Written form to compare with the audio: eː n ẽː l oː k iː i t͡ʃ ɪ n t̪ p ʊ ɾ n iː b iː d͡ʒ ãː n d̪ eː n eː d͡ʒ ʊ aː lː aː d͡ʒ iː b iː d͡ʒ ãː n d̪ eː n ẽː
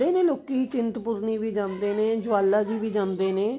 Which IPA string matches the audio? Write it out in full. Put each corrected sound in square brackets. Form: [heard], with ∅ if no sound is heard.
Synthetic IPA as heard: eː n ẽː l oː k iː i t͡ʃ ɪ n t̪ p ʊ ɾ n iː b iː d͡ʒ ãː n d̪ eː n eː d͡ʒ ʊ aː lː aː d͡ʒ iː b iː d͡ʒ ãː n d̪ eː n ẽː